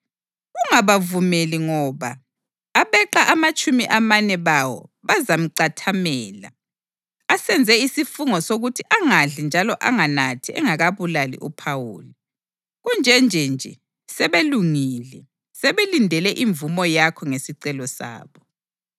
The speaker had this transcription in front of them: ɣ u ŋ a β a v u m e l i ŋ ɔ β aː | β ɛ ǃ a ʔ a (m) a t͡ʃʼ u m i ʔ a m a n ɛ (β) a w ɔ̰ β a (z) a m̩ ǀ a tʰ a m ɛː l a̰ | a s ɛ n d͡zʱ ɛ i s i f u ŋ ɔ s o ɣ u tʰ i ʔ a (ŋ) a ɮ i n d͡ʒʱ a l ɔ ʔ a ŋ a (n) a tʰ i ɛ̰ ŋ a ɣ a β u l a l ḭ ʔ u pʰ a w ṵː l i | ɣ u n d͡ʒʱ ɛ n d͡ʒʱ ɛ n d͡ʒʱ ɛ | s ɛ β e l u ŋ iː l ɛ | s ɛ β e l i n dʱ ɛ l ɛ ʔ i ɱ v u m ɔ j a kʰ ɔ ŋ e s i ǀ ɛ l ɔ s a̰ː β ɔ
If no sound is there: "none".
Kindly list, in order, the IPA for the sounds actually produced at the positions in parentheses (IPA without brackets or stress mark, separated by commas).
m, β, z, ŋ, n